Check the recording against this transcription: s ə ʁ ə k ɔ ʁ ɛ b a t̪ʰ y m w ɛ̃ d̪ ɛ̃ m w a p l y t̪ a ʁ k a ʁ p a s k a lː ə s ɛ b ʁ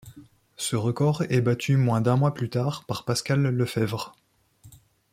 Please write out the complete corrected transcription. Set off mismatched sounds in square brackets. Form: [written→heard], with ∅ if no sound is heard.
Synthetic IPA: s ə ʁ ə k ɔ ʁ ɛ b a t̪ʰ y m w ɛ̃ d̪ ɛ̃ m w a p l y t̪ a ʁ [k→p] a ʁ p a s k a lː ə [s→f] ɛ [b→v] ʁ